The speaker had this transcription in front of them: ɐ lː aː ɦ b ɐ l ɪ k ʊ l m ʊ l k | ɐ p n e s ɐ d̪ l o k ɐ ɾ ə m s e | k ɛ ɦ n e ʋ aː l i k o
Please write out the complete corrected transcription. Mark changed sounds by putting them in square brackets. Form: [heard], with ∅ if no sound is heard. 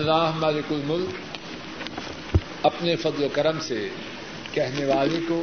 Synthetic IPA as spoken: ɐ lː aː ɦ [m] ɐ l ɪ k ʊ l m ʊ l k | ɐ p n e [f] ɐ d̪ l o k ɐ ɾ ə m s e | k ɛ ɦ n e ʋ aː l [e] k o